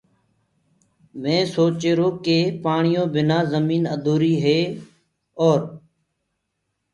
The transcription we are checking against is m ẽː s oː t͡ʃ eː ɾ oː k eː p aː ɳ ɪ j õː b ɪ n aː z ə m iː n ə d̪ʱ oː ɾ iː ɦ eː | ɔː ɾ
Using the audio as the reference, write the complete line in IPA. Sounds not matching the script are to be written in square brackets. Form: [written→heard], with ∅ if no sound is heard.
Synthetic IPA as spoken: m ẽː s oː t͡ʃ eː ɾ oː k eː p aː ɳ ɪ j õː b ɪ n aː z ə m iː n ə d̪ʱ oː ɾ iː ɦ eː | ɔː ɾ